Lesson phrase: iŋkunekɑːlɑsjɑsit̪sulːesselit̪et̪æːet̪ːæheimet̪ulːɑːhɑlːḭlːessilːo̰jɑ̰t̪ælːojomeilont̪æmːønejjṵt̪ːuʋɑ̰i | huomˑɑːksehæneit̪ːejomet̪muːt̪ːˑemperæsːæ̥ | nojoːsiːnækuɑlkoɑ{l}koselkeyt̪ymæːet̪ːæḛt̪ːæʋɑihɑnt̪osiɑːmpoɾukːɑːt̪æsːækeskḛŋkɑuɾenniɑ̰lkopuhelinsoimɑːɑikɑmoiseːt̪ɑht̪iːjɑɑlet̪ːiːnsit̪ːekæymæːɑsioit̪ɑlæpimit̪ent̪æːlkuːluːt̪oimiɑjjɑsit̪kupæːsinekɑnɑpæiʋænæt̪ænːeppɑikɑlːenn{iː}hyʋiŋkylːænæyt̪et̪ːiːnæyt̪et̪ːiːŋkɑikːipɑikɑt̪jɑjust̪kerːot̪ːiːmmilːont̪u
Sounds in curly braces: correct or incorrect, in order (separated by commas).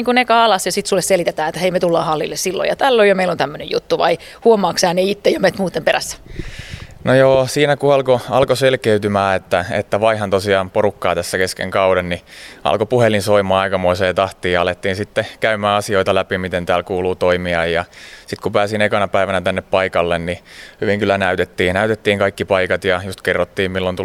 correct, incorrect